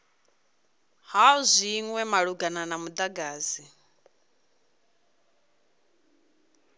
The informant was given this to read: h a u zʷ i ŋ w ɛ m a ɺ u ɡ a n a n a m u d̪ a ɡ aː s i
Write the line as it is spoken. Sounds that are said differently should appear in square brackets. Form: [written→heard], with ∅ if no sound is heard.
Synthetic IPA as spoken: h a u zʷ i ŋ w ɛ m a ɺ u ɡ a n a n a m u d̪ a ɡ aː [s→z] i